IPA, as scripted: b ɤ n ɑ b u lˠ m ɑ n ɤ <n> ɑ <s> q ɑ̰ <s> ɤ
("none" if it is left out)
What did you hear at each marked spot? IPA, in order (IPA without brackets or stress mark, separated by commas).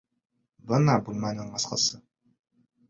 ɴ, s, s